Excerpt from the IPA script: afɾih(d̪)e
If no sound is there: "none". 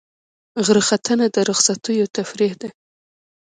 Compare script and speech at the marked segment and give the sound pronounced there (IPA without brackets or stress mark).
d̪